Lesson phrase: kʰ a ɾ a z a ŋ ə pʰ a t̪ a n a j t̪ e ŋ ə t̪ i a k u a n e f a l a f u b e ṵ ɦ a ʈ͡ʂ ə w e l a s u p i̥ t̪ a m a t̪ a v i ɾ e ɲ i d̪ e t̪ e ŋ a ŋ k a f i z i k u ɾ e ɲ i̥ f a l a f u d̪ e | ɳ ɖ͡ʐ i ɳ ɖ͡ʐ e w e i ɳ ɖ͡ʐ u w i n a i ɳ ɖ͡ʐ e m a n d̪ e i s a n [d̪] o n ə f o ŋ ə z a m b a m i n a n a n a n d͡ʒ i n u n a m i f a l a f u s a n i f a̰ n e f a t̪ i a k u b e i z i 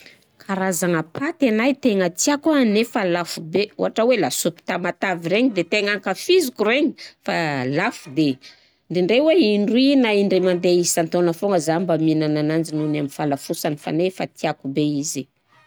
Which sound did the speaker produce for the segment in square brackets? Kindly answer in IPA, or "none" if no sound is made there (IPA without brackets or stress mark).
t̪